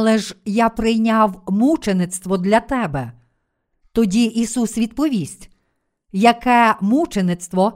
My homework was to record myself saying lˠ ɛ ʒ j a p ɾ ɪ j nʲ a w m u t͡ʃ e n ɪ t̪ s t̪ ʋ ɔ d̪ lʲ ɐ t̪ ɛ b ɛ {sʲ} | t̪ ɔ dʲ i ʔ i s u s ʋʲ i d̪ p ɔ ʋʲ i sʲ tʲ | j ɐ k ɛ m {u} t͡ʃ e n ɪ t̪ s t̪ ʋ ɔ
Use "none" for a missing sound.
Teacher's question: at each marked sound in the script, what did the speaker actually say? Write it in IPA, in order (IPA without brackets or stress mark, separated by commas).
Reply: none, u